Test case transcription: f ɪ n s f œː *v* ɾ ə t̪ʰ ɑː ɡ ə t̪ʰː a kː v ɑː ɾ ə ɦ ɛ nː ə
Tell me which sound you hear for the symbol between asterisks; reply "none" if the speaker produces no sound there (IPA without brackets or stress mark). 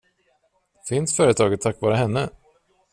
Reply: none